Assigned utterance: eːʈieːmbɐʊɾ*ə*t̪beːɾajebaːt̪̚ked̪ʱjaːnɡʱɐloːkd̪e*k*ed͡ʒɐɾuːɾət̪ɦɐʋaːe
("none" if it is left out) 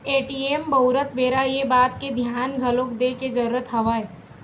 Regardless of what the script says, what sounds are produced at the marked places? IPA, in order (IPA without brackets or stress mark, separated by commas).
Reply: ə, k